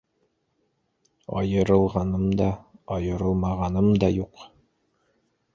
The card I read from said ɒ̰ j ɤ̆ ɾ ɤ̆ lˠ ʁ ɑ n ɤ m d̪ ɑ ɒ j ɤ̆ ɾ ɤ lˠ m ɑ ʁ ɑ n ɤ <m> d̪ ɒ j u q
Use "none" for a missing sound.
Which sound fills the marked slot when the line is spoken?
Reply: m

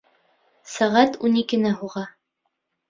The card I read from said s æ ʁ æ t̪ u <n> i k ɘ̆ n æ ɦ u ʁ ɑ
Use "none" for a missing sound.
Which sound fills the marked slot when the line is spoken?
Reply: n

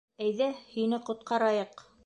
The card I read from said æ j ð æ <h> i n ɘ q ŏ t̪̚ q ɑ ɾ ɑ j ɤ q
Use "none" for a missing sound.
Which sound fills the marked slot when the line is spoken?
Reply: h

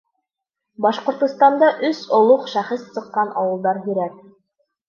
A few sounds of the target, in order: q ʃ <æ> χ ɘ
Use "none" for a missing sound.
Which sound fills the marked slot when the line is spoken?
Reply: æ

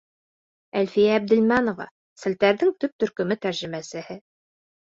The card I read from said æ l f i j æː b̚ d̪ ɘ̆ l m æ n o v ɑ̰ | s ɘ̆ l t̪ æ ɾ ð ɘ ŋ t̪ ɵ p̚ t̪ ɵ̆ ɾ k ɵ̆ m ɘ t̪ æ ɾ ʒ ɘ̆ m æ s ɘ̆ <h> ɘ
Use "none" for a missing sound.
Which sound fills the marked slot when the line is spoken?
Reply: h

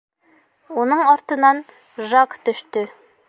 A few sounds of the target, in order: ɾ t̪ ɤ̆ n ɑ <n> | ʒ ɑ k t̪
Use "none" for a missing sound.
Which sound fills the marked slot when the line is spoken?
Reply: n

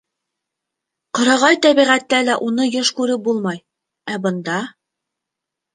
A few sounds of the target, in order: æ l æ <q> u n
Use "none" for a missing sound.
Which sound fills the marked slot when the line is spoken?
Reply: ʔ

